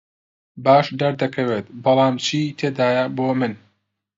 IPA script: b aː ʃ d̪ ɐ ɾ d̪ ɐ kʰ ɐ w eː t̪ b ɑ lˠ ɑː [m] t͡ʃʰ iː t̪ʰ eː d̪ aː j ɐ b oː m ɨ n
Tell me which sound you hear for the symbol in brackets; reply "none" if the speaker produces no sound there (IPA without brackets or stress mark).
m